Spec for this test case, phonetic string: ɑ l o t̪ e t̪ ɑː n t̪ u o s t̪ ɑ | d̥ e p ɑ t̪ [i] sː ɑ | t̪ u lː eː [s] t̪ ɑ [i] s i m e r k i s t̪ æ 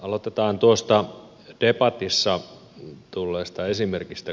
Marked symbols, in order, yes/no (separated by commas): yes, yes, no